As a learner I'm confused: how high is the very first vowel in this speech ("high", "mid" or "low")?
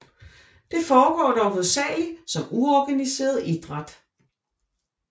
mid